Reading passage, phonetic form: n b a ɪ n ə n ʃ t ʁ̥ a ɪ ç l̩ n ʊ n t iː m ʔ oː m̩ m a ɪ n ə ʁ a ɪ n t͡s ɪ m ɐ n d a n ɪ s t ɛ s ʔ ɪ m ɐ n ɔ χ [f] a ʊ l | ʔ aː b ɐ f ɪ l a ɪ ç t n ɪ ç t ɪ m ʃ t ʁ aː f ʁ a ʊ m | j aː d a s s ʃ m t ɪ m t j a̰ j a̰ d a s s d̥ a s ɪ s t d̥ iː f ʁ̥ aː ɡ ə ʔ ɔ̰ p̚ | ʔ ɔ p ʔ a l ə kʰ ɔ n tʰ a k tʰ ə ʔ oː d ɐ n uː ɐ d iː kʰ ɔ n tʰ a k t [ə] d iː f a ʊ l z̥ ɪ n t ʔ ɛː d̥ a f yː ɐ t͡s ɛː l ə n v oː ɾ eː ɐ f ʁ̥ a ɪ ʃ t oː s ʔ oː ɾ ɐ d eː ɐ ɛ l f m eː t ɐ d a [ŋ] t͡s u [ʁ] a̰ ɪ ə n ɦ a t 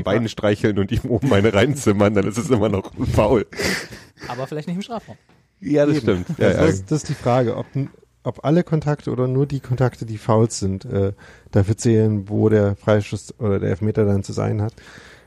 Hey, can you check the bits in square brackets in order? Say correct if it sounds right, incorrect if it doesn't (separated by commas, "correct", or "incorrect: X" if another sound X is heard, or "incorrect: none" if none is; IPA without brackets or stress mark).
correct, correct, incorrect: n, incorrect: z